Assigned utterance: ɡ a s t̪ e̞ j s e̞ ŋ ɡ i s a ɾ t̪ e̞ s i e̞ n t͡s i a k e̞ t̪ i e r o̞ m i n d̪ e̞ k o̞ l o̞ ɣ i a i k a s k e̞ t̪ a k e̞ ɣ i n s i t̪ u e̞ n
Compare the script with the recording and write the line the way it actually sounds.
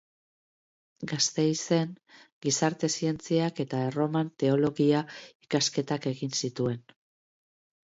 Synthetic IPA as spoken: ɡ a s t̪ e̞ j s e̞ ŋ ɡ i s a ɾ t̪ e̞ s i e̞ n t͡s i a k e̞ t̪ a e r o̞ m a n t̪ e̞ o̞ l o̞ ɣ i a i k a s k e̞ t̪ a k e̞ ɣ i n s i t̪ u e̞ n